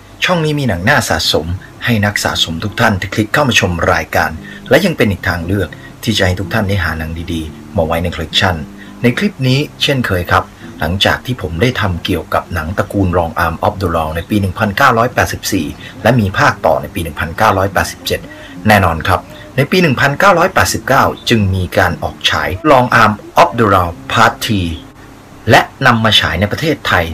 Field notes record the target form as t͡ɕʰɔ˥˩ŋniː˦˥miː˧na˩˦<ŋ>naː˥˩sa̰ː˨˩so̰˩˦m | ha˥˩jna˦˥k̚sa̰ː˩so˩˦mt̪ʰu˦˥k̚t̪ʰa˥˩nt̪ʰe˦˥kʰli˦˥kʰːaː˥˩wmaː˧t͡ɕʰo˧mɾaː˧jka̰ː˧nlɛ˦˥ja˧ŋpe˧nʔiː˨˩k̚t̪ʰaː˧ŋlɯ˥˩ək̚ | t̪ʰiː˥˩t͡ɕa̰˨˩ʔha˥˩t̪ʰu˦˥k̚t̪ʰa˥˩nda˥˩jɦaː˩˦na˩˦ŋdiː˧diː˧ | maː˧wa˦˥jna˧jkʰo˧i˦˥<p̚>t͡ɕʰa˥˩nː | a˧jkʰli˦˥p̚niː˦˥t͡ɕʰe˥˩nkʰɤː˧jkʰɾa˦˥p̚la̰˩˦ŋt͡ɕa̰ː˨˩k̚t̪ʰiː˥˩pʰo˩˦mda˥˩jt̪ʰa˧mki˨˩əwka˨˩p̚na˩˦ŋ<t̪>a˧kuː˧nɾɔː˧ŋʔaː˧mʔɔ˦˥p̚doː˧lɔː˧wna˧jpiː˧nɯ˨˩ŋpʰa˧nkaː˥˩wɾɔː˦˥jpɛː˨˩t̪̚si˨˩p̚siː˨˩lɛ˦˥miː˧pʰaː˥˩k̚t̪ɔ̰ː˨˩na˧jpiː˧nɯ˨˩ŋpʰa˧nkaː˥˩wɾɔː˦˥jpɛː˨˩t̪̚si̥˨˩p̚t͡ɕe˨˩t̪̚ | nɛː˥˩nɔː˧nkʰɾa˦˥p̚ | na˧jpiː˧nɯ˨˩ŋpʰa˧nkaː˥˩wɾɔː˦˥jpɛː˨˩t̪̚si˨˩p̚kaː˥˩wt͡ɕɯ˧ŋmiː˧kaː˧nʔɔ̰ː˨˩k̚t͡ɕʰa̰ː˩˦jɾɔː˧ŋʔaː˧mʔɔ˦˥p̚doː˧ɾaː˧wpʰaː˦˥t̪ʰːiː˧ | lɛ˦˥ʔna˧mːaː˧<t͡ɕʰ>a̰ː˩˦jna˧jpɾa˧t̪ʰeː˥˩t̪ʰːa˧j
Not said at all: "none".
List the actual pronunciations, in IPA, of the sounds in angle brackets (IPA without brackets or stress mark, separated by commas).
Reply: ŋ, k̚, t̪, t͡ɕʰ